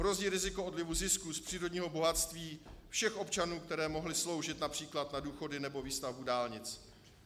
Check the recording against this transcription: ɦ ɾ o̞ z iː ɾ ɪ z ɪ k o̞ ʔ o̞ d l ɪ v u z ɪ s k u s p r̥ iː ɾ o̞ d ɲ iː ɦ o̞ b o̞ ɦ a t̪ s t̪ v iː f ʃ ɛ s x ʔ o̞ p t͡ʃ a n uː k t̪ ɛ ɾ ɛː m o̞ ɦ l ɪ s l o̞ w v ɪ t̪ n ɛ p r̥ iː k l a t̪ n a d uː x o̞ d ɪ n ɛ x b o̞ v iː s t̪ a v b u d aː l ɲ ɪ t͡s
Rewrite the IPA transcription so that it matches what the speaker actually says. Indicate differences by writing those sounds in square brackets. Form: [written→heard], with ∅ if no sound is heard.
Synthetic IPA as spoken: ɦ ɾ o̞ z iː ɾ ɪ z ɪ k o̞ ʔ o̞ d l ɪ v u z ɪ s k u s p r̥ iː ɾ o̞ d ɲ iː ɦ o̞ b o̞ ɦ a t̪ s t̪ v iː f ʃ ɛ [s→∅] x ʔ o̞ p t͡ʃ a n uː k t̪ ɛ ɾ ɛː m o̞ ɦ l ɪ s l o̞ w [v→ʒ] ɪ t̪ n [ɛ→a] p r̥ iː k l a t̪ n a d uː x o̞ d ɪ n ɛ [x→∅] b o̞ v iː s t̪ a v b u d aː l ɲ ɪ t͡s